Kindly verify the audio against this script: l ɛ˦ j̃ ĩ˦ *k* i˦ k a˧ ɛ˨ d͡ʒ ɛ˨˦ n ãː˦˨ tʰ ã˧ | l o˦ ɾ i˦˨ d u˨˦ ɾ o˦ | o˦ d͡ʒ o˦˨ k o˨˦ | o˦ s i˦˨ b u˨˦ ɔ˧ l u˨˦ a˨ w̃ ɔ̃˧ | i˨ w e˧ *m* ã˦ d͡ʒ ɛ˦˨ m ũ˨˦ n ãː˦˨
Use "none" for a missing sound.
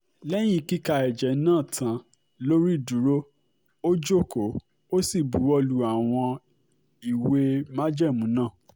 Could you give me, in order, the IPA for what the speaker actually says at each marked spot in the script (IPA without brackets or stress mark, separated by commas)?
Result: k, m